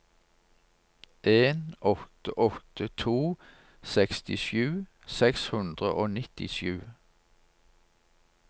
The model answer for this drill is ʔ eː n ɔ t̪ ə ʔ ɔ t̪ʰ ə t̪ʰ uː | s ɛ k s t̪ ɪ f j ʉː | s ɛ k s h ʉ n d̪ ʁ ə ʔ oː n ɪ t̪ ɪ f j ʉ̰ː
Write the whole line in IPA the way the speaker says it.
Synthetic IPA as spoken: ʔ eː n ɔ t̪ ə ʔ ɔ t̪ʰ ə t̪ʰ uː | s ɛ k s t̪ ɪ ʃ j ʉː | s ɛ k s h ʉ n d̪ ʁ ə ʔ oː n ɪ t̪ ɪ ʃ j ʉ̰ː